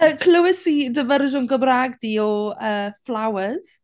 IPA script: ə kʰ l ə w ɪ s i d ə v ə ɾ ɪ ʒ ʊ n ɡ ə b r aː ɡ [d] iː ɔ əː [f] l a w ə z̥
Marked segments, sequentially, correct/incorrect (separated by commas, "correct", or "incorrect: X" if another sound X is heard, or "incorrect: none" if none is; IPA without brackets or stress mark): correct, correct